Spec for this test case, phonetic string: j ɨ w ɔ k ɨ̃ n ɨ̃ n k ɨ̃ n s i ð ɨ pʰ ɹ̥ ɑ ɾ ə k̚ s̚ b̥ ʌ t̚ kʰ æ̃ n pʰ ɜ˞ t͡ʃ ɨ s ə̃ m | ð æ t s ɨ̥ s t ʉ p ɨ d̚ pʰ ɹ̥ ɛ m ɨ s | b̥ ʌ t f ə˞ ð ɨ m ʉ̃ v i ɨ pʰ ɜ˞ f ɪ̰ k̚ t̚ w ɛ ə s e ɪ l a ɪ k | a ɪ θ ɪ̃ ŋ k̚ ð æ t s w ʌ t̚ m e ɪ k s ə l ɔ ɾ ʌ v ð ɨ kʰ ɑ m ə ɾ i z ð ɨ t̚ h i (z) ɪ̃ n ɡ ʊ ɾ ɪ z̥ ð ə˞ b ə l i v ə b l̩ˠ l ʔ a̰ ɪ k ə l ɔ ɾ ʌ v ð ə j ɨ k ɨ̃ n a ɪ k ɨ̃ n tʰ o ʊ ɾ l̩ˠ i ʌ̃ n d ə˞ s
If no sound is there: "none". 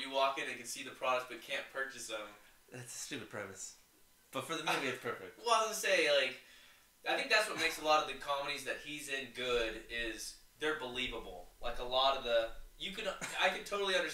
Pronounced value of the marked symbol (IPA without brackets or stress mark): z